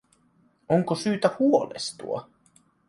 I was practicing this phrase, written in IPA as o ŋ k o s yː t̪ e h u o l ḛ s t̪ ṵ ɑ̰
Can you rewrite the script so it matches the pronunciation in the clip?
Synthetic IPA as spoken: o ŋ k o s yː t̪ æ h u o l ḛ s t̪ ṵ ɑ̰